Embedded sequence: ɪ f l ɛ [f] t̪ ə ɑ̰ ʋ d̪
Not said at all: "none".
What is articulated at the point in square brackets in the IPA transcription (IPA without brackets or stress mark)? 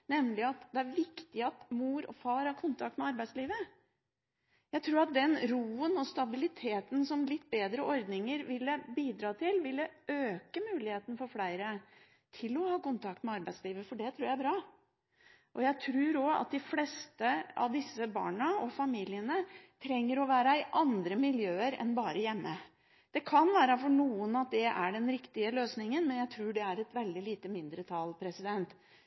s